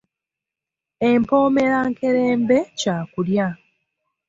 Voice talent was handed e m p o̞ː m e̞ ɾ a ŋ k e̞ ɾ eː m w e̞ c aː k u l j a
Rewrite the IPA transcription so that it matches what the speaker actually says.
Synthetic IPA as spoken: e m p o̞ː m e̞ ɾ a ŋ k e̞ ɾ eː m b e̞ c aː k u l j a